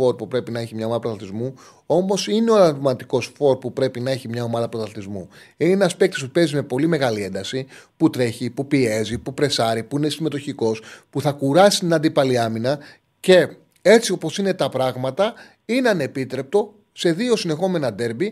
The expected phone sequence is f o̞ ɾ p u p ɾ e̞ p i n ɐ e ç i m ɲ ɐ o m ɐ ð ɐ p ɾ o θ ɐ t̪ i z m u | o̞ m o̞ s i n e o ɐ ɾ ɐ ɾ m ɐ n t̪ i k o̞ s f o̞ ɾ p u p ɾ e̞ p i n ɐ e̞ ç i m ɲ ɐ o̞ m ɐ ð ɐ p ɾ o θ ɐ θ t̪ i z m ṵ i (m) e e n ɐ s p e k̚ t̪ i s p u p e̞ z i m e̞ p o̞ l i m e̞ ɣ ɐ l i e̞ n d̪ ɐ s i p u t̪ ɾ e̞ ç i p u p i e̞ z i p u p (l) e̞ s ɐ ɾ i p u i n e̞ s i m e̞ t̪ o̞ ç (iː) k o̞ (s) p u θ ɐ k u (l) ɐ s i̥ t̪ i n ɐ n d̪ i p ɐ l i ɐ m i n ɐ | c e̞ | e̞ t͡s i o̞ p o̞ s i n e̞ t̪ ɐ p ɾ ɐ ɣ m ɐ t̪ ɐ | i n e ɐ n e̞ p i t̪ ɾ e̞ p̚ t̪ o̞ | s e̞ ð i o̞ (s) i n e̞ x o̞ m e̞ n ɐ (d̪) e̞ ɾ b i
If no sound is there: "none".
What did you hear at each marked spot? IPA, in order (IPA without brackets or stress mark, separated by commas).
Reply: n, ɾ, i, s, ɾ, s, d̪